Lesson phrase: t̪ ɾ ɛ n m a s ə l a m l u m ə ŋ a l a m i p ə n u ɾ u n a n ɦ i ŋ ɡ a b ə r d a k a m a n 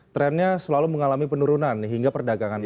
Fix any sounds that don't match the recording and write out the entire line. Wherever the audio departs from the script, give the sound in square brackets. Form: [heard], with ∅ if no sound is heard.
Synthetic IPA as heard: t̪ ɾ ɛ n [ɲ] a s ə l a [∅] l u m ə ŋ a l a m i p ə n u ɾ u n a n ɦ i ŋ ɡ a [p] ə r d a [ɡ] a [ŋ] a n